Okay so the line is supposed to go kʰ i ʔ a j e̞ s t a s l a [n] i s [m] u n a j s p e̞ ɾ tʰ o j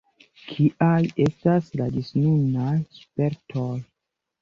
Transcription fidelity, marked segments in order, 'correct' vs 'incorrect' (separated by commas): incorrect, incorrect